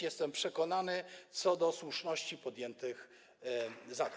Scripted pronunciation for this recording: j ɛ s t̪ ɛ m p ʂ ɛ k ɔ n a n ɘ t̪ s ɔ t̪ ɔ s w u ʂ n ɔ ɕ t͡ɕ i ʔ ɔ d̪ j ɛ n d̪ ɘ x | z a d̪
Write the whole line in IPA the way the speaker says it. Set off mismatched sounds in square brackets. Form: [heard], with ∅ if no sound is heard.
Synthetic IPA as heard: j ɛ s t̪ ɛ m p ʂ ɛ k ɔ n a n ɘ t̪ s ɔ [d̪] ɔ s w u ʂ n ɔ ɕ t͡ɕ i [p] ɔ d̪ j ɛ n [t̪] ɘ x | z a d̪